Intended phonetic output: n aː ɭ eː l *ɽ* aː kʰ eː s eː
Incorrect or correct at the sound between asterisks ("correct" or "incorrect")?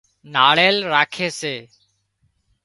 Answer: incorrect